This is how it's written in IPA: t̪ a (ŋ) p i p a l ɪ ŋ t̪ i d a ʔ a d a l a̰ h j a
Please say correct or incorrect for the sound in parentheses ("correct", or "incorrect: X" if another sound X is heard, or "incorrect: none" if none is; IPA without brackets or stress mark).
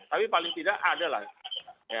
incorrect: none